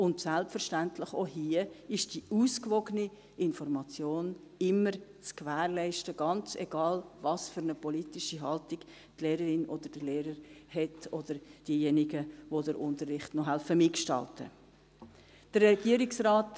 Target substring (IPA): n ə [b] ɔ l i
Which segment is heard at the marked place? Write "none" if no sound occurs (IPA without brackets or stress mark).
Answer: p